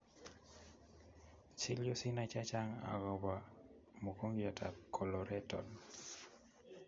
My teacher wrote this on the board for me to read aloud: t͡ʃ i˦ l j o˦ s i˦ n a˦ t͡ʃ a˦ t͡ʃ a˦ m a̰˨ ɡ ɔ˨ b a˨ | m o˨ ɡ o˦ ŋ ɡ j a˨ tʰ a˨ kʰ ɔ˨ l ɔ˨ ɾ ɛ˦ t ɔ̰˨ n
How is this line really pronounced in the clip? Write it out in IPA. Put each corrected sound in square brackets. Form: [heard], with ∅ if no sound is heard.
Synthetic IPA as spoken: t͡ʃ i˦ l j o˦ s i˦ n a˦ t͡ʃ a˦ t͡ʃ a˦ [ŋ] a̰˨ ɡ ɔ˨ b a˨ | m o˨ [k] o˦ ŋ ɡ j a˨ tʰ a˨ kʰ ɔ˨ l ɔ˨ ɾ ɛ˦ t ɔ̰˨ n

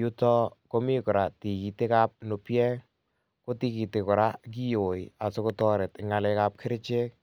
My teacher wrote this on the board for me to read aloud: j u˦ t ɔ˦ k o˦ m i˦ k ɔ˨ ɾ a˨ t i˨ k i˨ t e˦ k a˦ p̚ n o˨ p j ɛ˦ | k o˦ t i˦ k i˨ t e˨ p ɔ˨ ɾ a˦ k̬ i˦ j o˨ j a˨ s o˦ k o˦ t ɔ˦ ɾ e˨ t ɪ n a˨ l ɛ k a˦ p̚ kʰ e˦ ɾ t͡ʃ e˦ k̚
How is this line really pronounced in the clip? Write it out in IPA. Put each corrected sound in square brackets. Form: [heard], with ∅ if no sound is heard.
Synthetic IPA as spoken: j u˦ t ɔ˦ k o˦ m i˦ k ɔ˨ ɾ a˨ t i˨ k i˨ t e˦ k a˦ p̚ n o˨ p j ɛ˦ | k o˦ t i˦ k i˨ t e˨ [k] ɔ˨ ɾ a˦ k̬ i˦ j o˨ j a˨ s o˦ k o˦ t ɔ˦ ɾ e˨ t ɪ [ŋ] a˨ l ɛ k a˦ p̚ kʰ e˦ ɾ t͡ʃ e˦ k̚

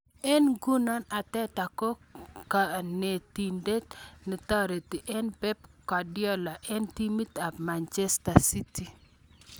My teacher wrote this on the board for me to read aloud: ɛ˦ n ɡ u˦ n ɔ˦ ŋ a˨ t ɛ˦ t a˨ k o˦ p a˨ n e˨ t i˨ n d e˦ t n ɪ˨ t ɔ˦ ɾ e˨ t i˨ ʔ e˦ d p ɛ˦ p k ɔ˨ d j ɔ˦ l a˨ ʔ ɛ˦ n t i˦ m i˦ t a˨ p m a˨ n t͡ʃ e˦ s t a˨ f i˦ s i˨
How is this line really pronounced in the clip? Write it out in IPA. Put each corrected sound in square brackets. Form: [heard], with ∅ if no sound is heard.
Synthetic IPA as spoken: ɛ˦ n ɡ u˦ n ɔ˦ [n] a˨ t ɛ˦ t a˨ k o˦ [k] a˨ n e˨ t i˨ n d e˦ t n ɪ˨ t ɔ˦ ɾ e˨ t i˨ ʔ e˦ [n] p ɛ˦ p k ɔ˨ d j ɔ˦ l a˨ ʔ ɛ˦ n t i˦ m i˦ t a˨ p m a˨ n t͡ʃ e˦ s t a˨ [s] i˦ [t] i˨

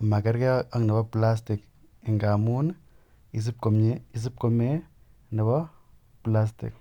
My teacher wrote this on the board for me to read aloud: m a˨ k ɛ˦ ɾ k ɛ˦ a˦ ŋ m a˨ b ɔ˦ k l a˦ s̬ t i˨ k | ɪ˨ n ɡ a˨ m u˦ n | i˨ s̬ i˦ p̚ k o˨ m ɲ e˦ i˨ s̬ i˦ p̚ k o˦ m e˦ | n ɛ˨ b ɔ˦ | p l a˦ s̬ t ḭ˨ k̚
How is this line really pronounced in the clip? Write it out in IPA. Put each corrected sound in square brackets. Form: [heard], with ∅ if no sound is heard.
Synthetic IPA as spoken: m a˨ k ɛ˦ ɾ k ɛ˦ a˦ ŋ [n] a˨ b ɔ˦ [p] l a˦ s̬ t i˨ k | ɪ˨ [ŋ] ɡ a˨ m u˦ n | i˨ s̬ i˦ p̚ k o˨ m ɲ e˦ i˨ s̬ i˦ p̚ k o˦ m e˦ | n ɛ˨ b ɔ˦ | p l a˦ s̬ t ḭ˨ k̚

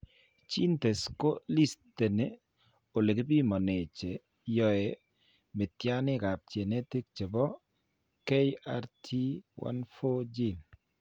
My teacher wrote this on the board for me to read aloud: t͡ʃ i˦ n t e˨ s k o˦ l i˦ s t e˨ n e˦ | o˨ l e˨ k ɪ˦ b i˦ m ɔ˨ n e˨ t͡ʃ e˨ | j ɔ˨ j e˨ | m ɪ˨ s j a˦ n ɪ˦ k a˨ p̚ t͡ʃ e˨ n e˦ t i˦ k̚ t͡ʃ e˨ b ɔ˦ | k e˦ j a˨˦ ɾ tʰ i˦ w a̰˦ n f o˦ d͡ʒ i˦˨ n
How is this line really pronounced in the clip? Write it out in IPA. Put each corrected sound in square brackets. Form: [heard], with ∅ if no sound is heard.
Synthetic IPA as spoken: t͡ʃ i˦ n t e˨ s k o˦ l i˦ s t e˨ n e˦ | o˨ l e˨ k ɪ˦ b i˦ m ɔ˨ n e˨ t͡ʃ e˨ | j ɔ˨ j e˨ | m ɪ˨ [t] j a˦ n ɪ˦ k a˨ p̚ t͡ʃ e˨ n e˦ t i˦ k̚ t͡ʃ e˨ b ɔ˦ | k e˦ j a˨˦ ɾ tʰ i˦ w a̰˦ n f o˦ d͡ʒ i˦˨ n

